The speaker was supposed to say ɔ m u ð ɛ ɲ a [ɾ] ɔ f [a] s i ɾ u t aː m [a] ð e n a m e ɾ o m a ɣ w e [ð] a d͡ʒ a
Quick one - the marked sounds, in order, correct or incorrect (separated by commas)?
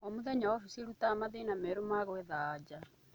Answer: incorrect, incorrect, correct, correct